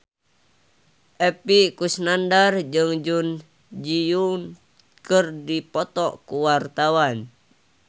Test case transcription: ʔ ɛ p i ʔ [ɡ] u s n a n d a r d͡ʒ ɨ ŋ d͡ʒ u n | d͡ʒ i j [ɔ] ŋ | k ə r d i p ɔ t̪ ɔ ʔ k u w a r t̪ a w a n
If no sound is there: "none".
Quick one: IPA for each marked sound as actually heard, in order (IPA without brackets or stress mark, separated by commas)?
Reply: k, u